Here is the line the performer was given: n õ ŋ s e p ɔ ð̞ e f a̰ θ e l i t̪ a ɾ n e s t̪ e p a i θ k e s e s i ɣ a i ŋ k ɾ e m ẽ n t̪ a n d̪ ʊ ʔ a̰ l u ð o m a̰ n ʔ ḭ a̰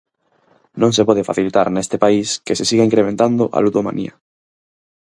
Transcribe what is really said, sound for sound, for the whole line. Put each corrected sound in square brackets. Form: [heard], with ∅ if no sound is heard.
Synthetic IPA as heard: n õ ŋ s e p ɔ ð̞ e f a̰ θ [i] l i t̪ a ɾ n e s t̪ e p a i [s] k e s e s i ɣ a i ŋ k ɾ e m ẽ n t̪ a n d̪ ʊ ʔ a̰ l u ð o m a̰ n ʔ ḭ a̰